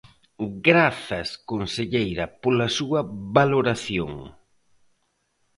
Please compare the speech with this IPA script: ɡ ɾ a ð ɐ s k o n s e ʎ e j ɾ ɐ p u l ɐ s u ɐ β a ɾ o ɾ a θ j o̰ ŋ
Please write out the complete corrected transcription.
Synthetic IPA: ɡ ɾ a θ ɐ s k o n s e ʎ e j ɾ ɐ p o l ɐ s u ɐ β a l o ɾ a θ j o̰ ŋ